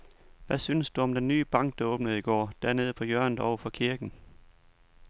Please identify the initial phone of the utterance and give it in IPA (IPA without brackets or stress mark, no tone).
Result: ʋ